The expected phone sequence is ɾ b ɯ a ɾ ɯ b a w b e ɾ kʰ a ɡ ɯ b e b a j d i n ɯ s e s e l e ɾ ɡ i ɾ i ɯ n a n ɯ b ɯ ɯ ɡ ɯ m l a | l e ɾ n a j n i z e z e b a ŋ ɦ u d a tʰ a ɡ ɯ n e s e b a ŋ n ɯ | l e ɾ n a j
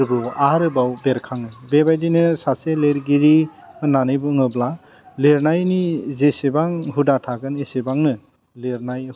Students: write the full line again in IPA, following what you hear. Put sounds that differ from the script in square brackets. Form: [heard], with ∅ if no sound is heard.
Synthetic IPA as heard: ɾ b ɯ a ɾ ɯ b a w b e ɾ kʰ a [ŋ] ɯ b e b a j d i n ɯ s [a] s e l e ɾ ɡ i ɾ i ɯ n a n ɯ b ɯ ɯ [ŋ] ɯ [b] l a | l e ɾ n a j n i z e [s] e b a ŋ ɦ u d a tʰ a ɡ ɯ n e s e b a ŋ n ɯ | l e ɾ n a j